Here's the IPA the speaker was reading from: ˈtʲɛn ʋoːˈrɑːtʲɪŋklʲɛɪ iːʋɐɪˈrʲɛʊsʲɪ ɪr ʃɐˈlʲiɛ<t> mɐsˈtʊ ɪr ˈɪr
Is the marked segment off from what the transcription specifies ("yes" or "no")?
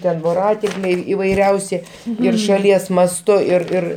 yes